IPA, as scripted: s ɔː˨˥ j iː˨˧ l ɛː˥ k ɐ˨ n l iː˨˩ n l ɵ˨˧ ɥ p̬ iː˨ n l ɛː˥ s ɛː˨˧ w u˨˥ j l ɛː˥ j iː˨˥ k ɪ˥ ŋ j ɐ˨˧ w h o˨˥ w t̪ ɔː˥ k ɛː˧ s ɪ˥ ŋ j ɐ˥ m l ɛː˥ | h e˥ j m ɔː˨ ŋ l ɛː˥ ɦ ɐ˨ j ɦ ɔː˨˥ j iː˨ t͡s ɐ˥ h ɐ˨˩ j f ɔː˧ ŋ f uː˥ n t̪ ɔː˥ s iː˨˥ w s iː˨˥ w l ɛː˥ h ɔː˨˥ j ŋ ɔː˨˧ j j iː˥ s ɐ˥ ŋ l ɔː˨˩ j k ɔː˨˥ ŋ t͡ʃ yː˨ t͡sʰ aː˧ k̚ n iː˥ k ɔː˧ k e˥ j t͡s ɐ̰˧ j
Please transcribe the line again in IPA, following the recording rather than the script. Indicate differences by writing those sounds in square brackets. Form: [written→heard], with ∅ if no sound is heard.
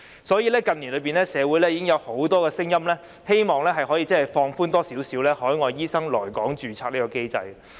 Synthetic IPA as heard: s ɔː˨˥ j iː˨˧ l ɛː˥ k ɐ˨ n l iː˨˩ n l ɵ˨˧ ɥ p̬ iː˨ n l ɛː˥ s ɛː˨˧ w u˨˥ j l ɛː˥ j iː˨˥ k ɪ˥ ŋ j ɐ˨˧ w h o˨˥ w t̪ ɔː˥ k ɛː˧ s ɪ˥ ŋ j ɐ˥ m l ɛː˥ | h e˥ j m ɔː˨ ŋ l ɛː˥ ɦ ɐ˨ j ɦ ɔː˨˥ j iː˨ t͡s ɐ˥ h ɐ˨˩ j f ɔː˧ ŋ f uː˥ n t̪ ɔː˥ s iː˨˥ w s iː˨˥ w l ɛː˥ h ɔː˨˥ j ŋ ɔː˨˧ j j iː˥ s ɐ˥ ŋ l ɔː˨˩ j k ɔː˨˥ ŋ t͡ʃ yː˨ t͡sʰ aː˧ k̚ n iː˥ k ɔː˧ k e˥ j t͡s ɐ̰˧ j